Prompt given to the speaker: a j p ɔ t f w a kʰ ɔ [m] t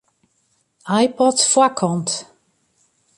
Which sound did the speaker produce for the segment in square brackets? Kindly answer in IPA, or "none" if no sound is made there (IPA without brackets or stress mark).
n